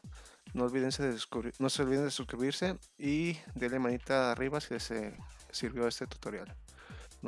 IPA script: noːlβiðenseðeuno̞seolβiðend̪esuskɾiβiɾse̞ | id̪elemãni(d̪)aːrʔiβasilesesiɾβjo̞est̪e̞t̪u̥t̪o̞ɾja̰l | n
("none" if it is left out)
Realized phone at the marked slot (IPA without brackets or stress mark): t̪